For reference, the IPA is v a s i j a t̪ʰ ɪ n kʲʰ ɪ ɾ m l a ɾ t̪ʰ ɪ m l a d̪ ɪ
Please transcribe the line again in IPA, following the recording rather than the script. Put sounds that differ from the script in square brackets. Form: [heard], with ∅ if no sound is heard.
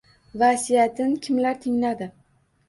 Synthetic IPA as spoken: v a s i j a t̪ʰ ɪ n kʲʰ ɪ [∅] m l a ɾ t̪ʰ ɪ [ŋ] l a d̪ ɪ